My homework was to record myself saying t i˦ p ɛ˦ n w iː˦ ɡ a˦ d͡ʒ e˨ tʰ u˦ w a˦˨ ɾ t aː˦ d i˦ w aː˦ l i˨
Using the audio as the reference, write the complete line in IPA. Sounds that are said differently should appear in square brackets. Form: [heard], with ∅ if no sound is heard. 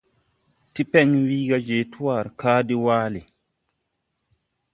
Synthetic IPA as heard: t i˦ p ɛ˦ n w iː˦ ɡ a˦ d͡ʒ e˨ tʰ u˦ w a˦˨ ɾ [k] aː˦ d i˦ w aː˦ l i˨